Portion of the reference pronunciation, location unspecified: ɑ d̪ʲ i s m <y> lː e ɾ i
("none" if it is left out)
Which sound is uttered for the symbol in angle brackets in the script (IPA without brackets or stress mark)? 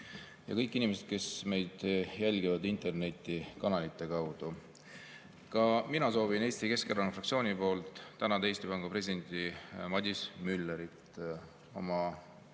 y